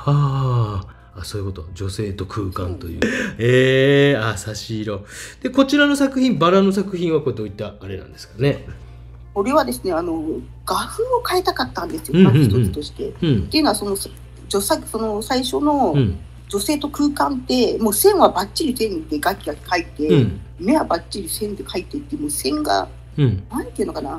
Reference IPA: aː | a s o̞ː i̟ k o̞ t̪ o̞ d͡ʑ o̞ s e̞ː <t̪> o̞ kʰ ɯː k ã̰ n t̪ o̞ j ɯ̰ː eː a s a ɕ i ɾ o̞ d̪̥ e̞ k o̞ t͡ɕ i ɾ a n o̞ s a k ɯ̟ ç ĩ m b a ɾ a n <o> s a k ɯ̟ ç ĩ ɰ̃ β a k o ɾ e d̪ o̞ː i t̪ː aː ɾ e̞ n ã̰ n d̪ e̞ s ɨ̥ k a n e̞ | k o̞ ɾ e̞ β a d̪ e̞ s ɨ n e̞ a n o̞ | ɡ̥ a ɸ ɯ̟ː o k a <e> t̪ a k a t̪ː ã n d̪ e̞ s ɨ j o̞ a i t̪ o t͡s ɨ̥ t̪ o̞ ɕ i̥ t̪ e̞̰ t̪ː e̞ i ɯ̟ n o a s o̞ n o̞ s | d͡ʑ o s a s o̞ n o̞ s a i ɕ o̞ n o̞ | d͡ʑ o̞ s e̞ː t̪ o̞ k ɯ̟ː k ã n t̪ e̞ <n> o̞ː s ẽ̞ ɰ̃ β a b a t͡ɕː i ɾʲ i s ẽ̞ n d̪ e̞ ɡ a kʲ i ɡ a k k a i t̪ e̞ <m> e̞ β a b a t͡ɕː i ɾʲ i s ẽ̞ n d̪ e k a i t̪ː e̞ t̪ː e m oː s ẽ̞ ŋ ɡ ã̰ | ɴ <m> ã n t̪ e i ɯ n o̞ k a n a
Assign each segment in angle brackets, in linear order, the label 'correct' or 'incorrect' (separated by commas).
correct, correct, correct, incorrect, correct, incorrect